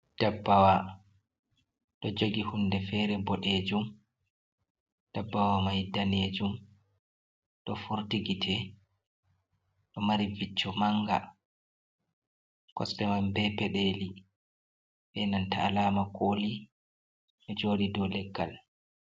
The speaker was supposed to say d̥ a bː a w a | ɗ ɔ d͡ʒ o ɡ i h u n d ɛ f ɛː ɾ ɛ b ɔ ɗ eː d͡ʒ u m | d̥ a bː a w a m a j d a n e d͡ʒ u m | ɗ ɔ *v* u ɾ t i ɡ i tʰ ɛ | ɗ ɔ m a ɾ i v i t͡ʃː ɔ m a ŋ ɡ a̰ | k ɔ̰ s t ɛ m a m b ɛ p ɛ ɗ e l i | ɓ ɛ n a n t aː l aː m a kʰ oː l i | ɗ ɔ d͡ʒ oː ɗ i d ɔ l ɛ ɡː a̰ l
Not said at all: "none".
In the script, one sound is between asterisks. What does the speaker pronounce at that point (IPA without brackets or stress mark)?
f